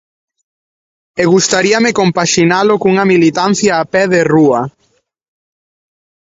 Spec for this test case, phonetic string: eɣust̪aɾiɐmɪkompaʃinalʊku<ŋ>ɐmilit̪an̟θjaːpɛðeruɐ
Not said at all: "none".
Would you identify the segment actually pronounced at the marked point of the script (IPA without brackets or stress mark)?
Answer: ŋ